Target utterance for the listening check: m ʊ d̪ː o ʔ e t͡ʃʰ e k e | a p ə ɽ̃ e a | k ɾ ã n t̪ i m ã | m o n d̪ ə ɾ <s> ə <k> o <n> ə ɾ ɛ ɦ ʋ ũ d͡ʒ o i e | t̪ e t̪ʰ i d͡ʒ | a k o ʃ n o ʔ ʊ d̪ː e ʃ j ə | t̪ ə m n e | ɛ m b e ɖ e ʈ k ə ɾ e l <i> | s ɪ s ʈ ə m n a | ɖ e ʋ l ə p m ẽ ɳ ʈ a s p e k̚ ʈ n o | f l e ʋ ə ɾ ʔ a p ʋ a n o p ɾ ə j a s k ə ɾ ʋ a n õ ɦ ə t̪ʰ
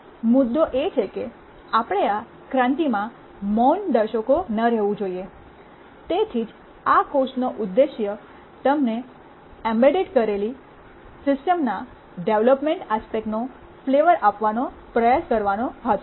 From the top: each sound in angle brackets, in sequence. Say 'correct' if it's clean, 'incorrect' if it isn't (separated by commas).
incorrect, correct, correct, correct